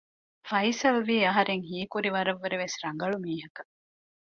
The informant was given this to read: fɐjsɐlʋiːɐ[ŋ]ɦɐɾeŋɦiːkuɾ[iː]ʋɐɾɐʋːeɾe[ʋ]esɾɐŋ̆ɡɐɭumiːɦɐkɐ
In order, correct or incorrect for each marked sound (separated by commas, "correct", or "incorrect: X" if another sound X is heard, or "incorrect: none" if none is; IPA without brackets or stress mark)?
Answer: incorrect: none, incorrect: i, correct